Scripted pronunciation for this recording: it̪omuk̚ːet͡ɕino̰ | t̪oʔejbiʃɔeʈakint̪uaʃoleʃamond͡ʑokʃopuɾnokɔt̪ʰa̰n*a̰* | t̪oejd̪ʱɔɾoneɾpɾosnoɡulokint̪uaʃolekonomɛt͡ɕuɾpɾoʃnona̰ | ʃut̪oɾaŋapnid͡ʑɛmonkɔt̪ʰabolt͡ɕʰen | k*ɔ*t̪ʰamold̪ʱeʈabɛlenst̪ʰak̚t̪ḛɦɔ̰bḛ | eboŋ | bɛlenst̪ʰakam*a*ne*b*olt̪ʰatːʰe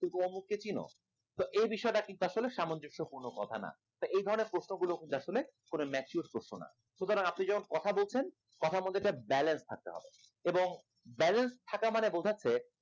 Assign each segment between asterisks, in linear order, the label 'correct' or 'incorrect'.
correct, correct, correct, correct

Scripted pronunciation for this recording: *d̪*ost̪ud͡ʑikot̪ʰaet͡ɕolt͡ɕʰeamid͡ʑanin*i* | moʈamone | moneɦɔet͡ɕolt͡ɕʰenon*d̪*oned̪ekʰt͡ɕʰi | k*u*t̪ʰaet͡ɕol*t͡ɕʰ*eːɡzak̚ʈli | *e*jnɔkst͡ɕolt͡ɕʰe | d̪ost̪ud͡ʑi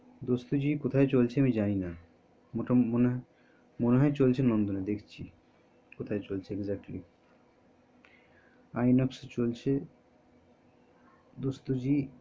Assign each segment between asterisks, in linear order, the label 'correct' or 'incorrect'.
correct, incorrect, correct, incorrect, correct, incorrect

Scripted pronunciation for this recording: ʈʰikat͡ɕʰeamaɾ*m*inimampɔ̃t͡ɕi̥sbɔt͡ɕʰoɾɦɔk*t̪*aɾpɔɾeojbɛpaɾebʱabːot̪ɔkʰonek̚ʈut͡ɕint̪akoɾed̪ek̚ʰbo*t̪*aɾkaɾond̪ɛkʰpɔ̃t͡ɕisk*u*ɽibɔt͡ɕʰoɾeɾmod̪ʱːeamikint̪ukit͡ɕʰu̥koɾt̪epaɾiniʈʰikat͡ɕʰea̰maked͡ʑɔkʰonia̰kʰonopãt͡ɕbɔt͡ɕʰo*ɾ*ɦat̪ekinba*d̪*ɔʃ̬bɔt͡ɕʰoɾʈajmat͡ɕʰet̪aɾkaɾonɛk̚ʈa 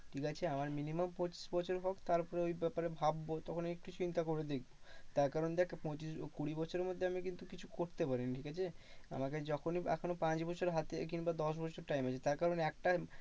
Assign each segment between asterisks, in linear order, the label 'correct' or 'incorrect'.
correct, correct, correct, correct, correct, correct

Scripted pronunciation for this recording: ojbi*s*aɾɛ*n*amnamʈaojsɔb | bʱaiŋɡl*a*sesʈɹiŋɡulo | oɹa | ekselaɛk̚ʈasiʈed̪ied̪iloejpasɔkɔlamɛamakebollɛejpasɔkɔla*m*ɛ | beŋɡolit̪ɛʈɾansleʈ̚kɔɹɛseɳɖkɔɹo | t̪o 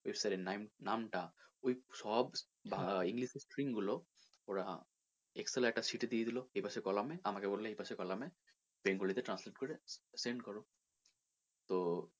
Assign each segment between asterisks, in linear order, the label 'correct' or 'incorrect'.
correct, correct, incorrect, correct

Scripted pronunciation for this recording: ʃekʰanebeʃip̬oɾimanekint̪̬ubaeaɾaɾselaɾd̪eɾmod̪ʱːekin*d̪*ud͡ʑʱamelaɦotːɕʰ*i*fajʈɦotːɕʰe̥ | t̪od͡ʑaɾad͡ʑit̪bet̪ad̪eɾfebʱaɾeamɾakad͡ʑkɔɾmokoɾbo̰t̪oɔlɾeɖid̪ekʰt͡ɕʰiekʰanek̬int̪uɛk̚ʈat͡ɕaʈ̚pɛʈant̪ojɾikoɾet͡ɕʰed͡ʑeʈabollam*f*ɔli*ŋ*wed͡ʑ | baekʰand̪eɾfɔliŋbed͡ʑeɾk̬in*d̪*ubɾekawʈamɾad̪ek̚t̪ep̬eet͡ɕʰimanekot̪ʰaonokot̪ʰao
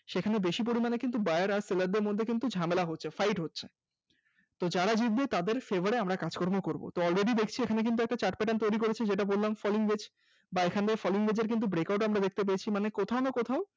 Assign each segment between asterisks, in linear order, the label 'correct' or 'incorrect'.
incorrect, incorrect, correct, correct, incorrect

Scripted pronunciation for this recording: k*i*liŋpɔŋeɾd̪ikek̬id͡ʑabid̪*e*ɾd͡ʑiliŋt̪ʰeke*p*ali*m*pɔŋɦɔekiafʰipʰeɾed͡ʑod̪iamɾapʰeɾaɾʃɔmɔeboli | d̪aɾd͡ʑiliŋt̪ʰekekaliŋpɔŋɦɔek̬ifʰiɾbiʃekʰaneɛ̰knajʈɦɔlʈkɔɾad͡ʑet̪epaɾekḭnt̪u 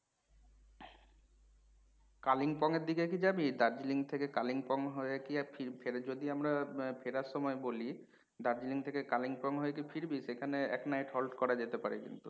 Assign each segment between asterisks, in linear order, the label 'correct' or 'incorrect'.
incorrect, incorrect, incorrect, incorrect

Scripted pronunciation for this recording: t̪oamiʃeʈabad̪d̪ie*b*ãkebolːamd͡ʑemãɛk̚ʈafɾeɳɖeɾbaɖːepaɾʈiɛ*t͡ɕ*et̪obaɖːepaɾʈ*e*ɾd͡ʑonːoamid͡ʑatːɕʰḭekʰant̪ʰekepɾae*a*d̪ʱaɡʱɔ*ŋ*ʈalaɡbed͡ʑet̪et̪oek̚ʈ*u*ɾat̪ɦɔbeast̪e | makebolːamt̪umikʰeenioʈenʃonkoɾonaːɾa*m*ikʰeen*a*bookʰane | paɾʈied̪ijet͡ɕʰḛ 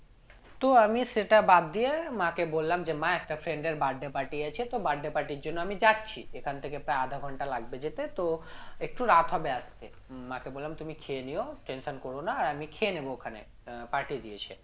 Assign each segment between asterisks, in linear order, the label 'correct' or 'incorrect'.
incorrect, incorrect, incorrect, correct, incorrect, correct, correct, incorrect

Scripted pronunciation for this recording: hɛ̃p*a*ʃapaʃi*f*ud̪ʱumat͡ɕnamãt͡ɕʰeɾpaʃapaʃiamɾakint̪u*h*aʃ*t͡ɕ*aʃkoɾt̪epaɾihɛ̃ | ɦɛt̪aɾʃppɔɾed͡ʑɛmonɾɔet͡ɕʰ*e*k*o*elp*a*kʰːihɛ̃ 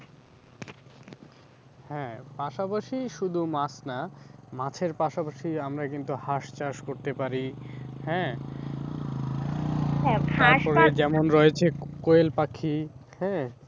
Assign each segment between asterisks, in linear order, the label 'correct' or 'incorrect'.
correct, incorrect, correct, correct, correct, correct, correct

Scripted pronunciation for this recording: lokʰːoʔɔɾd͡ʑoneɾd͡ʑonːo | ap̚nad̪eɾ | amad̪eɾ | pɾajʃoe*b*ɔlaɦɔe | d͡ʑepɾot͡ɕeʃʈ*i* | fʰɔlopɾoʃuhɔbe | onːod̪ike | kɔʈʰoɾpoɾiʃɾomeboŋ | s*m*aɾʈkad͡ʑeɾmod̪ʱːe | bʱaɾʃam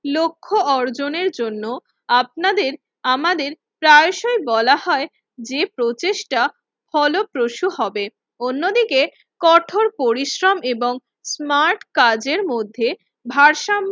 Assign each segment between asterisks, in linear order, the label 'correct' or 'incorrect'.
correct, incorrect, correct

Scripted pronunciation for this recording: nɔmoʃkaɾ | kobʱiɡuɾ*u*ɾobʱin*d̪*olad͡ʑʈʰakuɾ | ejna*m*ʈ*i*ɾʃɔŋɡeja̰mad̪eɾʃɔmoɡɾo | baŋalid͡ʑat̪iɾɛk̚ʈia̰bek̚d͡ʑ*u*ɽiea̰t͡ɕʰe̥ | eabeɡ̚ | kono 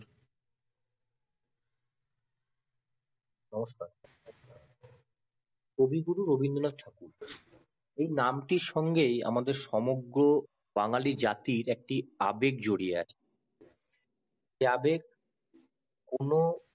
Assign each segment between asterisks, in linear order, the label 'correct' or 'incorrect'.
correct, correct, correct, correct, incorrect

